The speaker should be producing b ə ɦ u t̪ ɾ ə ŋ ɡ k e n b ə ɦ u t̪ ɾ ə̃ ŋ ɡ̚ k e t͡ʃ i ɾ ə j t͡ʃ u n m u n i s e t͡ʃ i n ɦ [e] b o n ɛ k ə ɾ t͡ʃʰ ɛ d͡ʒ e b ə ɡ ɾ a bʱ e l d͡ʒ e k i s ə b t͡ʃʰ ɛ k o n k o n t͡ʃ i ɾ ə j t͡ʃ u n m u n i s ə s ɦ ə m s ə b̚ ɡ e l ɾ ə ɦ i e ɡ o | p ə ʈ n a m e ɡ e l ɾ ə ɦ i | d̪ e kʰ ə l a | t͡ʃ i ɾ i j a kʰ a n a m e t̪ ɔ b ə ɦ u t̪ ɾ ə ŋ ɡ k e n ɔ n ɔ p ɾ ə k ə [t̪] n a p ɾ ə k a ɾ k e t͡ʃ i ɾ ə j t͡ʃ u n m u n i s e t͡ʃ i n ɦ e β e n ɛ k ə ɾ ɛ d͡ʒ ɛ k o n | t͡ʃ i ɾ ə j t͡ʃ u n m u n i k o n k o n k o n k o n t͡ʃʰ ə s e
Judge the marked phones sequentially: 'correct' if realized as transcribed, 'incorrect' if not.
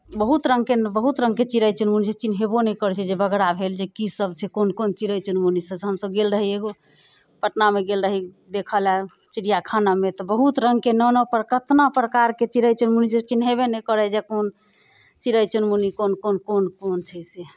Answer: correct, correct

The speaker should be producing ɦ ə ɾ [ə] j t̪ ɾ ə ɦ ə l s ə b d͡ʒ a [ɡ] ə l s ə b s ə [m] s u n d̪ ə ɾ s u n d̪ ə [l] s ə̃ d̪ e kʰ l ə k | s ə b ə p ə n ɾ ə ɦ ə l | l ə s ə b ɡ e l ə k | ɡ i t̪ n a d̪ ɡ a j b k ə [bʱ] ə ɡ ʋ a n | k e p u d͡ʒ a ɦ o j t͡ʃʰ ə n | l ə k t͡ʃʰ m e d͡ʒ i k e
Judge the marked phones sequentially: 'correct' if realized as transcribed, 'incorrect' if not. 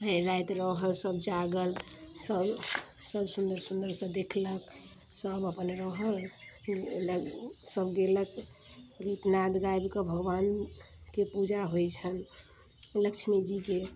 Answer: incorrect: a, correct, incorrect: b, incorrect: ɾ, correct

